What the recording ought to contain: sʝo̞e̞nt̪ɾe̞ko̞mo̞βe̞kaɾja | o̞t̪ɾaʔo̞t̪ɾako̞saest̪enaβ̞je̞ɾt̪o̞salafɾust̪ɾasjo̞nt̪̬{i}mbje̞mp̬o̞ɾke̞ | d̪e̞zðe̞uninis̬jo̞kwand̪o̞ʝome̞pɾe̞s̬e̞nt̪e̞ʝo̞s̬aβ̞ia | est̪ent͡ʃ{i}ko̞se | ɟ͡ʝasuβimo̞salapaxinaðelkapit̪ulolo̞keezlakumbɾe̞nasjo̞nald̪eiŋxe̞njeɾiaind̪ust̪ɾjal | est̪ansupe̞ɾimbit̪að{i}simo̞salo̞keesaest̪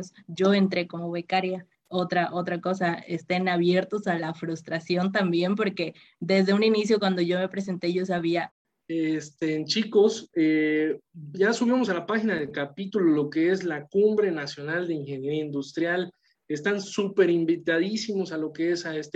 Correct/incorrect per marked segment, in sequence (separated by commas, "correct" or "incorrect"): incorrect, correct, correct